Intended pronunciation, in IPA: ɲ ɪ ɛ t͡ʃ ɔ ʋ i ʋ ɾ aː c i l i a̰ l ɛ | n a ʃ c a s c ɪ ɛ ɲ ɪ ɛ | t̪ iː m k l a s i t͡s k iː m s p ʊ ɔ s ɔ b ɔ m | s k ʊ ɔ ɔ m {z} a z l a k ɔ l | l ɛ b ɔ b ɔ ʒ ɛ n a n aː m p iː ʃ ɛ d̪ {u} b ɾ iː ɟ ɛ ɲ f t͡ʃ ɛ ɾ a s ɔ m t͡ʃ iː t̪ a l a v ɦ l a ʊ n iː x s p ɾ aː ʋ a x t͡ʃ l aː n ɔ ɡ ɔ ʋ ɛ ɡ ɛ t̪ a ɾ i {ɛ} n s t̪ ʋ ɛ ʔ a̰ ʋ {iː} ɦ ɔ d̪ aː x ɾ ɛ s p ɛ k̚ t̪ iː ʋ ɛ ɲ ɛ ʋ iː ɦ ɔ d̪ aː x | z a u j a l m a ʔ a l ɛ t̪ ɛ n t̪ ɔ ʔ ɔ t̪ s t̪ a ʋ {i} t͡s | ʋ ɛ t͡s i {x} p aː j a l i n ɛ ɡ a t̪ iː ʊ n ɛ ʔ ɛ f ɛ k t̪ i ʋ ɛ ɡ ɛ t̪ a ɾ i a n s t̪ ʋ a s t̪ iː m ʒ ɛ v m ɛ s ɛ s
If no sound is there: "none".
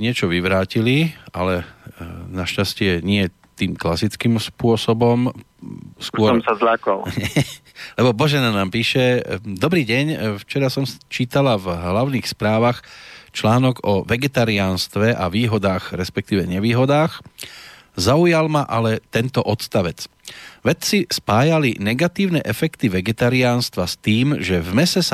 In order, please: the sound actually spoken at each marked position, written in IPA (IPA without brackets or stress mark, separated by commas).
s, ɔ, a, iː, ɛ, s